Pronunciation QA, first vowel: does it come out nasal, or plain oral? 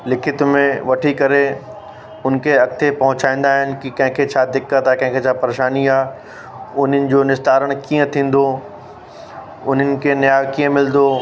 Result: oral